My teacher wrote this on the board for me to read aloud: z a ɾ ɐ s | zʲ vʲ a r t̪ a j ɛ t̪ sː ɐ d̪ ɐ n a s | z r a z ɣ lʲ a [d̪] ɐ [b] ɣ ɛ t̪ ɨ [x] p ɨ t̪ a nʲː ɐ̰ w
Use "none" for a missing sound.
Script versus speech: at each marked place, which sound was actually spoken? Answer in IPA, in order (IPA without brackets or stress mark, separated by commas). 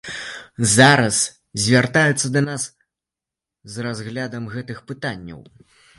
d̪, m, x